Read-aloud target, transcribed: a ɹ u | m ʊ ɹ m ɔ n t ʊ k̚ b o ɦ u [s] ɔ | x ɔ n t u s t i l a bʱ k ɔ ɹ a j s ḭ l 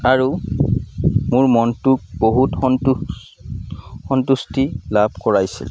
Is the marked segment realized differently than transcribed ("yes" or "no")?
yes